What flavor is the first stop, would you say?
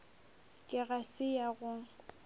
ejective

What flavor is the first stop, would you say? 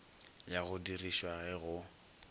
plain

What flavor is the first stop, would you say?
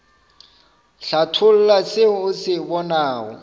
aspirated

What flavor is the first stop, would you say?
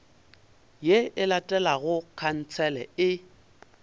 ejective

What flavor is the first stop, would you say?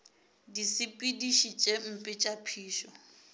plain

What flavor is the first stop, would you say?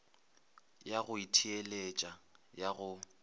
aspirated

